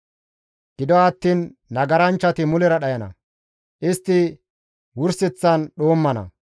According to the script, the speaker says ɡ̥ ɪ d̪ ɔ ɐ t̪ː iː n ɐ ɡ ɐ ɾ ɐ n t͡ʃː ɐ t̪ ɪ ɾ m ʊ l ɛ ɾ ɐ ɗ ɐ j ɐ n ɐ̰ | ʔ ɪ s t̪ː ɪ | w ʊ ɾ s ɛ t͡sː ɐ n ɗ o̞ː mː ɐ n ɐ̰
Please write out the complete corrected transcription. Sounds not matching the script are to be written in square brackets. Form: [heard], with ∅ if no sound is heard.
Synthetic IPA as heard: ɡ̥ ɪ d̪ ɔ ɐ t̪ː iː [nː] ɐ ɡ ɐ ɾ ɐ n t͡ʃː ɐ t̪ ɪ [∅] m ʊ l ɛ ɾ ɐ ɗ ɐ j ɐ n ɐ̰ | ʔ ɪ s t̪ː ɪ | w ʊ ɾ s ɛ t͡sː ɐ n ɗ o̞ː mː ɐ n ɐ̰